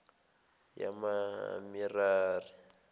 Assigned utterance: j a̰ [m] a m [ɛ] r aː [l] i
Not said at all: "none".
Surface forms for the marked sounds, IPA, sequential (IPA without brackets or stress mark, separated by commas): m, i, r